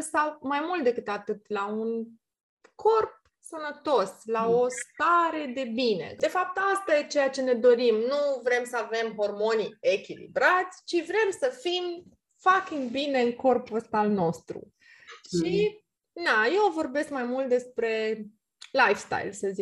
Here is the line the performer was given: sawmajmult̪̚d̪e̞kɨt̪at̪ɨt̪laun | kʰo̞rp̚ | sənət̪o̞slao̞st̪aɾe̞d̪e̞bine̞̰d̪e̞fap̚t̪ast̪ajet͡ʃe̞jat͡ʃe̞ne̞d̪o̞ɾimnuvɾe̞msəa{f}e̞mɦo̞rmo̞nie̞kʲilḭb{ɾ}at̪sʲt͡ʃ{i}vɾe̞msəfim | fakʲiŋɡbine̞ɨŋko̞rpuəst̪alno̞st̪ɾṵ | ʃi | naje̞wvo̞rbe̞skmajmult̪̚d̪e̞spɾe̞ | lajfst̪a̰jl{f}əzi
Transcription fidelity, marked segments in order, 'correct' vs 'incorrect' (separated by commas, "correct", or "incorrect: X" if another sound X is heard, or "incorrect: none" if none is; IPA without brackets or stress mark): incorrect: v, correct, correct, incorrect: s